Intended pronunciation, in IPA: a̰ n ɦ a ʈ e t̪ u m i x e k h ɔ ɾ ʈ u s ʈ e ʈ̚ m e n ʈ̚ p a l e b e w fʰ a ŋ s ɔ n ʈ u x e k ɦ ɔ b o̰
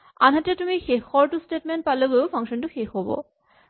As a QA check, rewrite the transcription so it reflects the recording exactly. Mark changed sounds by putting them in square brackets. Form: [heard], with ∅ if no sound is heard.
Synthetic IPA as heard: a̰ n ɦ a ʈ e t̪ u m i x e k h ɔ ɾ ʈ u s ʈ e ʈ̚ m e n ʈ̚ p a l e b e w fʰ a ŋ [ʃ] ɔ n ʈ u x e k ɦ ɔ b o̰